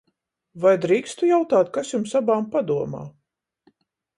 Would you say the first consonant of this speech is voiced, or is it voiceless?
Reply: voiced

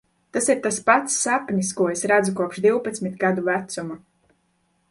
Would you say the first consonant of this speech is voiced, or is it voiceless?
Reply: voiceless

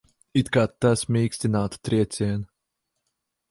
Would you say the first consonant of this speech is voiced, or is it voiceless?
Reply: voiceless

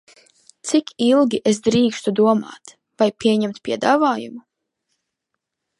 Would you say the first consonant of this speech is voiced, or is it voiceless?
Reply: voiceless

